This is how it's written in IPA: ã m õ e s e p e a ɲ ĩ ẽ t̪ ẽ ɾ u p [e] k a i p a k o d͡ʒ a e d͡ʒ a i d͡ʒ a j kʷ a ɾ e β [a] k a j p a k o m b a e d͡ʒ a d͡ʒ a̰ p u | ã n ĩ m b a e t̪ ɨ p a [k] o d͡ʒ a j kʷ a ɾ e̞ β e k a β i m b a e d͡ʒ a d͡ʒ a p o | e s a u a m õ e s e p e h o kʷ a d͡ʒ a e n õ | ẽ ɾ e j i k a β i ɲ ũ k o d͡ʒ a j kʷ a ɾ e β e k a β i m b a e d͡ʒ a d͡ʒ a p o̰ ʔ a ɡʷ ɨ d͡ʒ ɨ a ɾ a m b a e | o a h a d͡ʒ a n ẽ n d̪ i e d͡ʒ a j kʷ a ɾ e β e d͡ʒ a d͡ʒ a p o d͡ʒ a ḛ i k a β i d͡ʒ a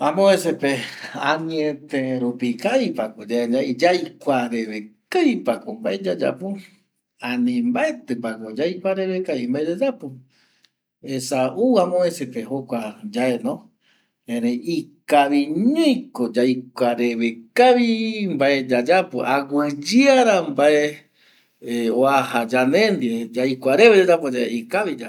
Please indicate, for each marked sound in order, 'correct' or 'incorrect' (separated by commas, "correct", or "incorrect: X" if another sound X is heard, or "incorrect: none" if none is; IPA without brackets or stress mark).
incorrect: i, incorrect: e, correct